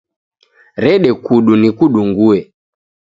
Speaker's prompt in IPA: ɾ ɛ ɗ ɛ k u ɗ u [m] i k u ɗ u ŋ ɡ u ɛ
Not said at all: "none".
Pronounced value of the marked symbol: n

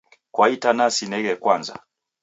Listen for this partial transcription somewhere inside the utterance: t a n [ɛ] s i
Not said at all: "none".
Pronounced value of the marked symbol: a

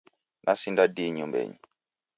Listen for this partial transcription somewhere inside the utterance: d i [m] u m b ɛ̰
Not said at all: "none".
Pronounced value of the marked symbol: ɲ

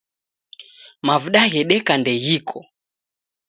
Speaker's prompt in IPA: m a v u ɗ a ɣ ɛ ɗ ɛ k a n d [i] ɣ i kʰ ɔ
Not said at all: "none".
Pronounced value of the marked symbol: ɛ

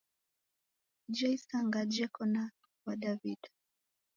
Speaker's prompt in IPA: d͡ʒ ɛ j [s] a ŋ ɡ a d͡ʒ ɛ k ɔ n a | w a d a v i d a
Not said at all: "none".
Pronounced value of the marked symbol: s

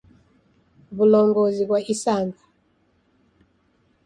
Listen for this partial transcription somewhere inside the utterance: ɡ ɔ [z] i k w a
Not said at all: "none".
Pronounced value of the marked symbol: z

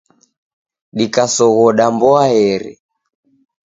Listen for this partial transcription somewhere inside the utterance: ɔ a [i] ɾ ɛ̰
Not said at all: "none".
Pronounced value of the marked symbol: ɛ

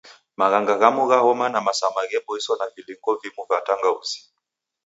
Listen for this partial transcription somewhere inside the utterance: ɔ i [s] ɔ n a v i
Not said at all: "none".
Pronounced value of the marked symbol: s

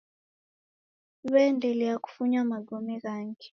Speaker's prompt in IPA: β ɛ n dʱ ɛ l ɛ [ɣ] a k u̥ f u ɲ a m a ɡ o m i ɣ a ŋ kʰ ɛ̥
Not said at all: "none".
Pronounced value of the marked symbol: none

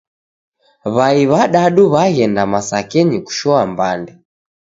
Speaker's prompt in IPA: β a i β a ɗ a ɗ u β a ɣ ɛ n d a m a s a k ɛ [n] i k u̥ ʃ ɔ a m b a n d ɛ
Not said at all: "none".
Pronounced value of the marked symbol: ɲ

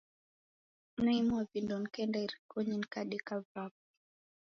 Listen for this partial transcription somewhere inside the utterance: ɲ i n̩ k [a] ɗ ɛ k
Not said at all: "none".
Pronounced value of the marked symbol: a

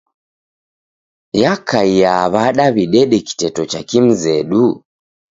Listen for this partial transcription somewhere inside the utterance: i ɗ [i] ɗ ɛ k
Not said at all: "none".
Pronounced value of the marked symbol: ɛ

